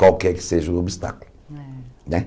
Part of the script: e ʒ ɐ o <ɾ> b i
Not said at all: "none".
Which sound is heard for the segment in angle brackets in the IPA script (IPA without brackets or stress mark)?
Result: none